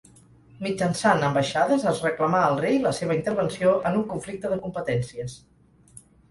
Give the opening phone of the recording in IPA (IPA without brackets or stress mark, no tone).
m